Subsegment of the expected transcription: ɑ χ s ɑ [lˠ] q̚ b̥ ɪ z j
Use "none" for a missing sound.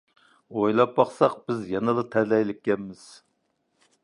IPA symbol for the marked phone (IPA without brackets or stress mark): none